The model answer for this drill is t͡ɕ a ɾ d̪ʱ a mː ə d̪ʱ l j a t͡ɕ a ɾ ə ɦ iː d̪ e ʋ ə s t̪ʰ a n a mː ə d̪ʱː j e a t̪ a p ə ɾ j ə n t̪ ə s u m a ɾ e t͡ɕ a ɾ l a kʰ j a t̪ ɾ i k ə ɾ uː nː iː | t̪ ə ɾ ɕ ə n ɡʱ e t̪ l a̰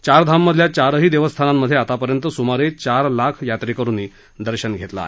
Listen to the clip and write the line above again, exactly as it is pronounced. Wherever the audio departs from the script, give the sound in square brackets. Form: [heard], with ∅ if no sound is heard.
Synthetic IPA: t͡ɕ a ɾ d̪ʱ a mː ə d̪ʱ l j a t͡ɕ a ɾ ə ɦ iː d̪ e ʋ ə s t̪ʰ a n a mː ə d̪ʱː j e a t̪ a p ə ɾ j ə n t̪ ə s u m a ɾ e t͡ɕ a ɾ l a kʰ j a t̪ ɾ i k ə ɾ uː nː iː | [d̪] ə ɾ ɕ ə n ɡʱ e t̪ l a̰